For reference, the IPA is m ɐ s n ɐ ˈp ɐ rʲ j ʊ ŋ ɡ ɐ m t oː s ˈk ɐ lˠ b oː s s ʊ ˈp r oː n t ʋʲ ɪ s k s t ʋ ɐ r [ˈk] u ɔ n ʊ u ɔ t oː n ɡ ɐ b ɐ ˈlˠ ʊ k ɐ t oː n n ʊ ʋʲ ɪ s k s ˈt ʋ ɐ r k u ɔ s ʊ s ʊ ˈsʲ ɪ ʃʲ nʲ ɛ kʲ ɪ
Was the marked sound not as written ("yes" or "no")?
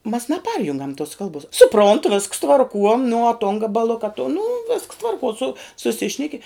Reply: no